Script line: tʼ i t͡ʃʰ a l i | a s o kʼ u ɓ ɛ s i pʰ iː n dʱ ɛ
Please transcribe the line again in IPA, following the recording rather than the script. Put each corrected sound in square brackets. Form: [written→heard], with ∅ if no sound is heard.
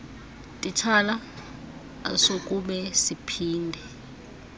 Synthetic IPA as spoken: tʼ i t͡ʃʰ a l [i→a] | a s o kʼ u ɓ ɛ s i pʰ iː n dʱ ɛ